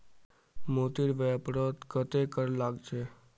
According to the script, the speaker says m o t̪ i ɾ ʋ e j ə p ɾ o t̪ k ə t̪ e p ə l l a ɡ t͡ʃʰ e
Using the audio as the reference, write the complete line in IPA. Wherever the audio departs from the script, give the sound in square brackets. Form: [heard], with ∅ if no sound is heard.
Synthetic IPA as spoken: m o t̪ i ɾ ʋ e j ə p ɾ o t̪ k ə t̪ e [k] ə [ɾ] l a ɡ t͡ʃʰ e